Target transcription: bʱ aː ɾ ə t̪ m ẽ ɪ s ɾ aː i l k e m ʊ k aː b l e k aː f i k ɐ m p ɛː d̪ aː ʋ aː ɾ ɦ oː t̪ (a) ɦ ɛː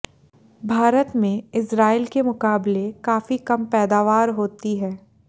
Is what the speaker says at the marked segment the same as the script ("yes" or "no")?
no